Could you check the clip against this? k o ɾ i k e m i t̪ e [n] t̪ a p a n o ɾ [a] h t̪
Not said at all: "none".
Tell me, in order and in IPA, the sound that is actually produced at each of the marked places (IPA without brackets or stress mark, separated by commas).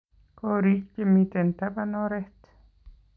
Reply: n, e